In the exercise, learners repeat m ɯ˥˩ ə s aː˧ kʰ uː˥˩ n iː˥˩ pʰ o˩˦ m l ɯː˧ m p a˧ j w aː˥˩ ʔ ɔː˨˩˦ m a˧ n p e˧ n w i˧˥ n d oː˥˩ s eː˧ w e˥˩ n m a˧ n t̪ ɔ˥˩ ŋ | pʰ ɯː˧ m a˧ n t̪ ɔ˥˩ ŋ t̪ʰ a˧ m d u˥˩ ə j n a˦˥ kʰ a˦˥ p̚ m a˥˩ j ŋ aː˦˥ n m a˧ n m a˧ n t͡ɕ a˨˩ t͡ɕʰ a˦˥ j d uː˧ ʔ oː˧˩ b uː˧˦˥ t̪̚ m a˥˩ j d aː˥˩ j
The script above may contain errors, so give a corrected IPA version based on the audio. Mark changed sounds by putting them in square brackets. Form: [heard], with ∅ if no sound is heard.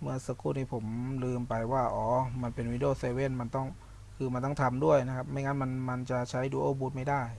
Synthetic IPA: m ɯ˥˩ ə s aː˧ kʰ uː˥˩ n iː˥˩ pʰ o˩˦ m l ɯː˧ m p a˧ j w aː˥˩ ʔ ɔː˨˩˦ m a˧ n p e˧ n w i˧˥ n d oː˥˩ s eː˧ w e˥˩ n m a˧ n t̪ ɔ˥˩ ŋ | [kʰ] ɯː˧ m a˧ n t̪ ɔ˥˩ ŋ t̪ʰ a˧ m d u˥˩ ə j n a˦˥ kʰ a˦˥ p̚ m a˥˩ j ŋ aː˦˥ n m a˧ n m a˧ n t͡ɕ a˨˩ t͡ɕʰ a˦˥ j d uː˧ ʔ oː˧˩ b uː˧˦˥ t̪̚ m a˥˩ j d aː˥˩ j